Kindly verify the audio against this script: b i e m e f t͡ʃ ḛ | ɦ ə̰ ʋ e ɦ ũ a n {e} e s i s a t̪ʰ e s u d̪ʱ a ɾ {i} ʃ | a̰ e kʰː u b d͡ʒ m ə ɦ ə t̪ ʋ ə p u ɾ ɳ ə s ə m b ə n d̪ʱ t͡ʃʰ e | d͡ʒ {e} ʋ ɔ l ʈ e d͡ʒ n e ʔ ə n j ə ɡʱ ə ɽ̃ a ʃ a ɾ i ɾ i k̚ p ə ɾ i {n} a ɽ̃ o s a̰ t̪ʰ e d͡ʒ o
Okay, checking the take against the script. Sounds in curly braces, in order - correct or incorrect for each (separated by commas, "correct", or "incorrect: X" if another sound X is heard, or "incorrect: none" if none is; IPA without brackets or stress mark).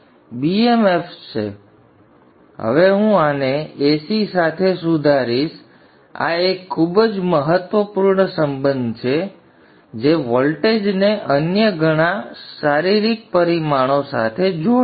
correct, correct, correct, incorrect: m